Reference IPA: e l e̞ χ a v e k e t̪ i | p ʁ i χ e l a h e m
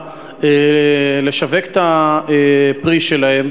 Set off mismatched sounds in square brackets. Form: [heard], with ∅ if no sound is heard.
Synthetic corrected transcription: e l e̞ [ʃ] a v e k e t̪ [a] | p ʁ i [ʃ] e l a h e m